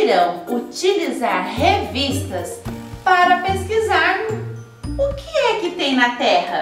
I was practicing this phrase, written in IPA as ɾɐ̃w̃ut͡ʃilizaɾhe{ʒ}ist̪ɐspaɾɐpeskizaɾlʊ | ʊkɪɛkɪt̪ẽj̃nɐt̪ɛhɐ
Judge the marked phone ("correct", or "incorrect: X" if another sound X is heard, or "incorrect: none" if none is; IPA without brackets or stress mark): incorrect: v